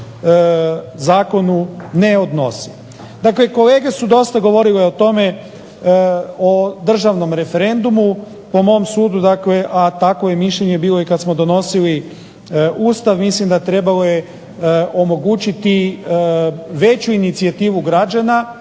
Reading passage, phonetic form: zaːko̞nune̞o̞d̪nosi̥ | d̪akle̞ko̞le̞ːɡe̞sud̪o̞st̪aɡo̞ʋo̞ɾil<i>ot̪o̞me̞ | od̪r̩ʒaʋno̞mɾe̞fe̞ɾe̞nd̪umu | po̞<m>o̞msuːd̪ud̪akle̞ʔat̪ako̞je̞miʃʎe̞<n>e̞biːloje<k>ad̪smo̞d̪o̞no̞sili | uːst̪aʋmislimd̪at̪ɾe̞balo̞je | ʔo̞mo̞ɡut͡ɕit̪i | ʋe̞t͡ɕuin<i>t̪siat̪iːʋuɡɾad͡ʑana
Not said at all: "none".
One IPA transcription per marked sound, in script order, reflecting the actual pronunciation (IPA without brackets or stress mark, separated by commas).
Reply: e, m, ɲ, k, i